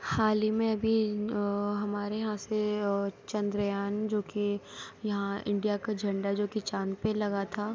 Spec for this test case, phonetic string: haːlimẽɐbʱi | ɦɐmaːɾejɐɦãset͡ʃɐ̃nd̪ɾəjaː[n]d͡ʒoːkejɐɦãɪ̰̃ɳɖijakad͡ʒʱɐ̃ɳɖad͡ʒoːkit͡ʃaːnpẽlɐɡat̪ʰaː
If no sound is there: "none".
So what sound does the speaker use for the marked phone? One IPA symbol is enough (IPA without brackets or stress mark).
n